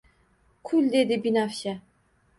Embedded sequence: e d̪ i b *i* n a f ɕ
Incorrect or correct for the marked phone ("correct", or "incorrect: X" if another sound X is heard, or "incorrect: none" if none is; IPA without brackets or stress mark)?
correct